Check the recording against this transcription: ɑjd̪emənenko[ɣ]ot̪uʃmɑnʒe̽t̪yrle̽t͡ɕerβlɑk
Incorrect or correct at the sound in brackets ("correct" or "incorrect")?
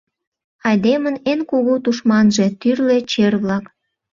correct